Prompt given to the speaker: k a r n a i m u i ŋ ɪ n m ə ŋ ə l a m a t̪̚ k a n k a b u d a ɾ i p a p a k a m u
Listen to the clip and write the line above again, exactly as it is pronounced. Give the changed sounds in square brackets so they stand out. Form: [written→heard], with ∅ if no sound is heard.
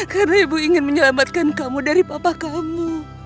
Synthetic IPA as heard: k a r n a i [m→b] u i ŋ ɪ n m ə [ŋ→ɲ] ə l a m a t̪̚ k a n k a [b→m] u d a ɾ i p a p a k a m u